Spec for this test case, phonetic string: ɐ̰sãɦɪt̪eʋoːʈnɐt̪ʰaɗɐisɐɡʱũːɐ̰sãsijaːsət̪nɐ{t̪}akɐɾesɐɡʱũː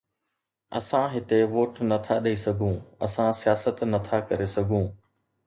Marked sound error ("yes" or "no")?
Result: yes